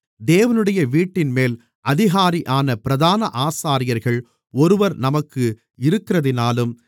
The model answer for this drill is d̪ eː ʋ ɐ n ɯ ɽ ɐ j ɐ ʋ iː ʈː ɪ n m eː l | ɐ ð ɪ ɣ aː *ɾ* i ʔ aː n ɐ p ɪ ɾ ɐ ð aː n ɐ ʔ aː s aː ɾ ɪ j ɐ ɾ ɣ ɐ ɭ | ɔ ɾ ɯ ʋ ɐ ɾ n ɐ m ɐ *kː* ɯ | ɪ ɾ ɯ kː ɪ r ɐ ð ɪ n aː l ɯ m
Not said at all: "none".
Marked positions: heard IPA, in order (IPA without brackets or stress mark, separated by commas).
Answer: ɾ, kː